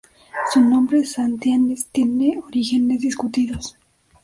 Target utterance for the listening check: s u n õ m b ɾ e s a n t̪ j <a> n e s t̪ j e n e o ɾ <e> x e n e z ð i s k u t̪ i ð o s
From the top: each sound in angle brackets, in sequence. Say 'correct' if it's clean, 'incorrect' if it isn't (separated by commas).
correct, incorrect